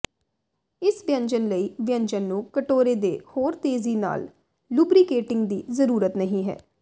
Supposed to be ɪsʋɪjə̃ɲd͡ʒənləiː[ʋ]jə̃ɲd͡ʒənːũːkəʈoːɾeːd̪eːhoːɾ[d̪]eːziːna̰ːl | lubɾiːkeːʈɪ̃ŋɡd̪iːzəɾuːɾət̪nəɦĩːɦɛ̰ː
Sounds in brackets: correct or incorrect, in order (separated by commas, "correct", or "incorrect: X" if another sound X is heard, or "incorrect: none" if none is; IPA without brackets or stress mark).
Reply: correct, incorrect: t̪